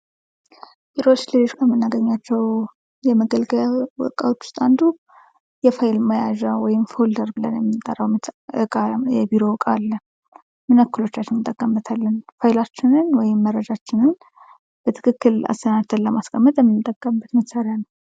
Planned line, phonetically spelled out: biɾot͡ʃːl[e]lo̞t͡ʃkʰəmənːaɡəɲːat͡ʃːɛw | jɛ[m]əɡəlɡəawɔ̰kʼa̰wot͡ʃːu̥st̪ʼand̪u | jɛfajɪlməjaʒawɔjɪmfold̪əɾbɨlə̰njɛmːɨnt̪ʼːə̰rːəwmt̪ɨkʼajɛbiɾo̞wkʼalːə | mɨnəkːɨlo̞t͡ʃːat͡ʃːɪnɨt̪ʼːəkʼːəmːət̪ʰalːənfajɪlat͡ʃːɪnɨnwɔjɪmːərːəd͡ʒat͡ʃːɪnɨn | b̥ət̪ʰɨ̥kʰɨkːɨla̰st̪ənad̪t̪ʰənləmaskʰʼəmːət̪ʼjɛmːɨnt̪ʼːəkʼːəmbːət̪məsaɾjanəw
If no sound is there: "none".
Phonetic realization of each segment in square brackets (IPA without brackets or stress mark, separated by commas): e, m